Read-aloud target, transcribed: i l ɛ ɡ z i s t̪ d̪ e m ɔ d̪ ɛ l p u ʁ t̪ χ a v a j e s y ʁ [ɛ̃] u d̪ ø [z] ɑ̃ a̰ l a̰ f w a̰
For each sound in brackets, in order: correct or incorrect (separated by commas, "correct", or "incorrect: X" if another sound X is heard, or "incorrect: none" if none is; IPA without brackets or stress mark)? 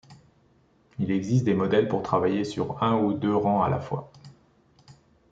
correct, incorrect: ʁ